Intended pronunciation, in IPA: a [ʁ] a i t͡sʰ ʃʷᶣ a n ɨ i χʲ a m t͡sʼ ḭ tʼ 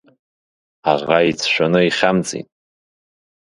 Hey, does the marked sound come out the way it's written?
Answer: yes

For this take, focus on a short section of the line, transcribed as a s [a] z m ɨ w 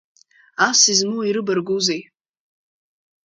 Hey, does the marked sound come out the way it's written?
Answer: no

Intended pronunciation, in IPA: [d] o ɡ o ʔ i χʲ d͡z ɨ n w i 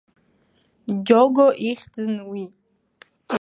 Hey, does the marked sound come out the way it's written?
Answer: no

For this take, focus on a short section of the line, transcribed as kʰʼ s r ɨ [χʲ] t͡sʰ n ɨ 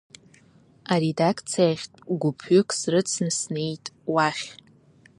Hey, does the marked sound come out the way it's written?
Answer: no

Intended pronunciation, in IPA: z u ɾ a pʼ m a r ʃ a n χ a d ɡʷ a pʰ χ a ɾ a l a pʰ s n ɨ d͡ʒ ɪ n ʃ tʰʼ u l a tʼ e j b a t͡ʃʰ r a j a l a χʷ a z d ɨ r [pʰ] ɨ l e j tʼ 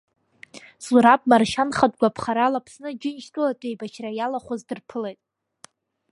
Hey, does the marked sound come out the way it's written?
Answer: yes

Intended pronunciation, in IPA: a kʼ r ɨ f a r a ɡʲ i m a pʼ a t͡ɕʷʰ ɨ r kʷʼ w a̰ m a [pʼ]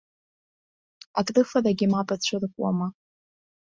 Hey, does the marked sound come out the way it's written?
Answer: no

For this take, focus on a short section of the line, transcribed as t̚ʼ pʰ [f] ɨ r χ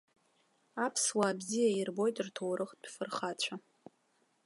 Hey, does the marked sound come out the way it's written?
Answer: yes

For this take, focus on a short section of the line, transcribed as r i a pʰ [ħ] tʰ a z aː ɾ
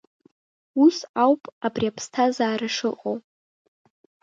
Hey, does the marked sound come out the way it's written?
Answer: no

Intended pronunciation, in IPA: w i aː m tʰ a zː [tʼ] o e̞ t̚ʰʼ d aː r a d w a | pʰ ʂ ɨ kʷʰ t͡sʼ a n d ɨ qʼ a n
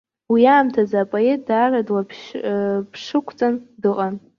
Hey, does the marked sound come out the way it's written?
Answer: no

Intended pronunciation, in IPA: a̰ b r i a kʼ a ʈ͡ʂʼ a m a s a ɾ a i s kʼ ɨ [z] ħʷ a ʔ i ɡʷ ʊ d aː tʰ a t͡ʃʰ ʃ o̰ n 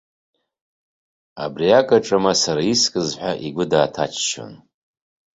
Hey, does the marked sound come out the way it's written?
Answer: yes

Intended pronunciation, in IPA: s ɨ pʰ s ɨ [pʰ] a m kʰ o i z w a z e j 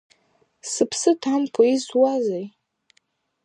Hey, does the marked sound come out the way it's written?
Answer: no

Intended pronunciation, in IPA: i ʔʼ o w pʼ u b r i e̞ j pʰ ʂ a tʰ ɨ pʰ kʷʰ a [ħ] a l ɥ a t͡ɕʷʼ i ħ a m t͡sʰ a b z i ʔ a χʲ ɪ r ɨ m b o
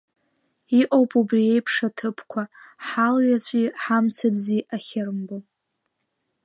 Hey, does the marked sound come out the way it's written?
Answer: yes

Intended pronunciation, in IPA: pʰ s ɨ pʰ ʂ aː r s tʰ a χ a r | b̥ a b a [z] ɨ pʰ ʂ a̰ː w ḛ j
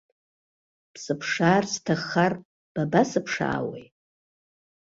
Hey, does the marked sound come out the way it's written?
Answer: no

